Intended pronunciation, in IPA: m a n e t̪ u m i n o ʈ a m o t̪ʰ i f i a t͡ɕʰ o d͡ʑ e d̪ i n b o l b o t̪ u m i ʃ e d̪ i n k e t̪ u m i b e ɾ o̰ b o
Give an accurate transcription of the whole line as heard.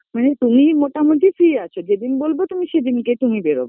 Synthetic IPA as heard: m a n e t̪ u m i m o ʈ a m o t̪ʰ i f i a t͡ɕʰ o d͡ʑ e d̪ i n b o l b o t̪ u m i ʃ e d̪ i n k e t̪ u m i b e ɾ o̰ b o